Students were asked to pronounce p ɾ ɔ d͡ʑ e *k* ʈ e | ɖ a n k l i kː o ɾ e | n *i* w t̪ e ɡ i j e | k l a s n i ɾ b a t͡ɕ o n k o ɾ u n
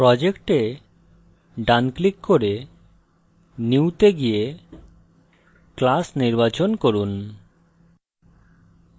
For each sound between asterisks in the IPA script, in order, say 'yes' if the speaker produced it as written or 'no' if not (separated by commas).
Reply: yes, yes